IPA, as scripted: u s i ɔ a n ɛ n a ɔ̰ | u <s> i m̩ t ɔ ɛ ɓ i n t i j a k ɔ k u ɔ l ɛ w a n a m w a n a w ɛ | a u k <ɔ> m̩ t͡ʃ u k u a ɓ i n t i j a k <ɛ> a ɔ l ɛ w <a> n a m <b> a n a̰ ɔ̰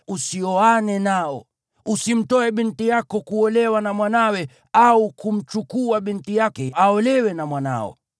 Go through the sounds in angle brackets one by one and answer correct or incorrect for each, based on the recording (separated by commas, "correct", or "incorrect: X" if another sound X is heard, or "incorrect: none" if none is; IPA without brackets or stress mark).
correct, incorrect: u, correct, incorrect: ɛ, incorrect: w